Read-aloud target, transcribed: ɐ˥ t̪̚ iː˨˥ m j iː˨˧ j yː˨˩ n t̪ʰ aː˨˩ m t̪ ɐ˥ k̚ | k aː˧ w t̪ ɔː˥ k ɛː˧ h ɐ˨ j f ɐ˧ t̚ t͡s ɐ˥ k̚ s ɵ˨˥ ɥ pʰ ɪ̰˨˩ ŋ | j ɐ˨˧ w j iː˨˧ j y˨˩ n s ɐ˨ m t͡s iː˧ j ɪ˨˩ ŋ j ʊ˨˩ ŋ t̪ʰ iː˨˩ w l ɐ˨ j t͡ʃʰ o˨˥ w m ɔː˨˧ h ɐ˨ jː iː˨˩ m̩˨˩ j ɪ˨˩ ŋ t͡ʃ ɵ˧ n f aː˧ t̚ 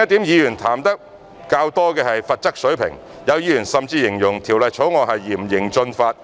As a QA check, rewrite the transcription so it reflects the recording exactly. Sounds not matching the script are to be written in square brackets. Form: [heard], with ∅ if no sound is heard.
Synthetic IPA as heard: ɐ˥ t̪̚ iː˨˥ m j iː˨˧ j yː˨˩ n t̪ʰ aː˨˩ m t̪ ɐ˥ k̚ | k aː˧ w t̪ ɔː˥ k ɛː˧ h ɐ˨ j f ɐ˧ t̚ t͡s ɐ˥ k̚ s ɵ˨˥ ɥ pʰ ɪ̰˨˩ ŋ | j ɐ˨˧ w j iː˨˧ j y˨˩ n s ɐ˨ m t͡s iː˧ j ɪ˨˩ ŋ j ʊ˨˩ ŋ t̪ʰ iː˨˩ w l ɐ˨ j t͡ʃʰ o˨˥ w [ŋ] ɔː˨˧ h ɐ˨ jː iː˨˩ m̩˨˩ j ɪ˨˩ ŋ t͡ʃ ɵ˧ n f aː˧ t̚